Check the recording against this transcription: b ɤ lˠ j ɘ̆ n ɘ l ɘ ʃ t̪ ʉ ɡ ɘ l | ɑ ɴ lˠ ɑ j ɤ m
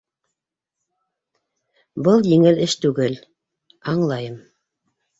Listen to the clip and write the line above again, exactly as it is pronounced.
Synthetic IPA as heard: b ɤ lˠ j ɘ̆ ŋ ɘ l ɘ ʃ t̪ ʉ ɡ ɘ l | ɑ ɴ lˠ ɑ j ɤ m